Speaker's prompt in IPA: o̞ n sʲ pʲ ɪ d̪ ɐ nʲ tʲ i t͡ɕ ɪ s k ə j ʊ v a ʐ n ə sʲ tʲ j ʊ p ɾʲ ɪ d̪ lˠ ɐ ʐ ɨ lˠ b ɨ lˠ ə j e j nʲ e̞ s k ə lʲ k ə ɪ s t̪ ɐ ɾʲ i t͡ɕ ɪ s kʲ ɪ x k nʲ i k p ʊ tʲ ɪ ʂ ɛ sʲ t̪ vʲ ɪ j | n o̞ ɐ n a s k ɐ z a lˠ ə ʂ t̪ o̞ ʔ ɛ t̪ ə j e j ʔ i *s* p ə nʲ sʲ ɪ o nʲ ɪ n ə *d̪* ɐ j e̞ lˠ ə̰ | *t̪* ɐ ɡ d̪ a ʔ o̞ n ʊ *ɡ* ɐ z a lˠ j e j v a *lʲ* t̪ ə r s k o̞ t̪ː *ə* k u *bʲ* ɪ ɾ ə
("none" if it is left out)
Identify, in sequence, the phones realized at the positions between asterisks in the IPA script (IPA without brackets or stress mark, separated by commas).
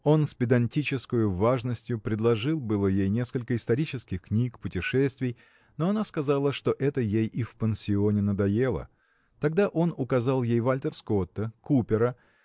f, d̪, t̪, k, lʲ, ə, pʲ